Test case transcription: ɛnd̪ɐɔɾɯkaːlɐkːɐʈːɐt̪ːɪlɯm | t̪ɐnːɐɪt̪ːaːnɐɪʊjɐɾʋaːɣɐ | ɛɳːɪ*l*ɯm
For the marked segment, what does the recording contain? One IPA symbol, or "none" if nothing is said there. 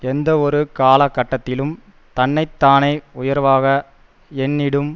ɽ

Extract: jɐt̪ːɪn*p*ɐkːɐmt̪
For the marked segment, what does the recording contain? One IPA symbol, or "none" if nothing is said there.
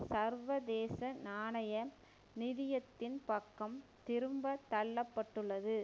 p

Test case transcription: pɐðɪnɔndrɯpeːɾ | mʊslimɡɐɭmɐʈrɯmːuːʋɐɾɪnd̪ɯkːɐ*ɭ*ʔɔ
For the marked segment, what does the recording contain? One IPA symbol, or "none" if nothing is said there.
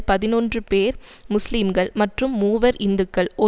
ɭ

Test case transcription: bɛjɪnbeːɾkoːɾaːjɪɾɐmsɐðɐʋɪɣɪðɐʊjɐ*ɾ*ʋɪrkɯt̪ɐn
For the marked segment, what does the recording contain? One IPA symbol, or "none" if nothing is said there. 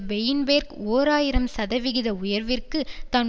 ɾ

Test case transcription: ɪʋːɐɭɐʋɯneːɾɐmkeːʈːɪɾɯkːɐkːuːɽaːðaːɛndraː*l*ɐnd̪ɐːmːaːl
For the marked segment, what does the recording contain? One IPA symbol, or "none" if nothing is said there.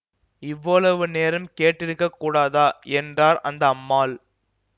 ɾ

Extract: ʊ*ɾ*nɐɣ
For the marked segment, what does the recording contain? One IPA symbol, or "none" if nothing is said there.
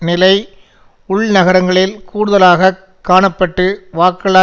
ɭ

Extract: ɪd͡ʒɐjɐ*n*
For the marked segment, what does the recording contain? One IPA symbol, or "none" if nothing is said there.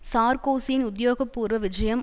m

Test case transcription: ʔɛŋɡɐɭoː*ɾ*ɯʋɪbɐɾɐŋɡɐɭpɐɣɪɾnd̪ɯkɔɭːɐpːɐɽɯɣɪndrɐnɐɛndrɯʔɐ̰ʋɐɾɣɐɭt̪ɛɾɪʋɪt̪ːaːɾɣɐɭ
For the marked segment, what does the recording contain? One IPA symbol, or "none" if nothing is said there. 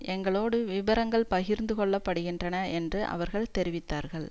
ɽ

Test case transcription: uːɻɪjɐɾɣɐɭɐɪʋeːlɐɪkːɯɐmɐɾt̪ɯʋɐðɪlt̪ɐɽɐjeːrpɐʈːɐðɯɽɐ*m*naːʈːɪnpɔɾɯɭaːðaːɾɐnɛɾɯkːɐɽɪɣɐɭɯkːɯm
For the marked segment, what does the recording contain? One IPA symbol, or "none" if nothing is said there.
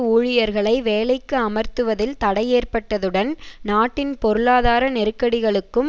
n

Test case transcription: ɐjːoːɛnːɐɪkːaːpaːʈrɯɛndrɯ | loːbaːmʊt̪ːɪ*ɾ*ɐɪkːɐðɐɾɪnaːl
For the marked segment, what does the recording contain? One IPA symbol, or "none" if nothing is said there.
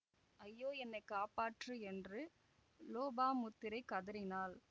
ɾ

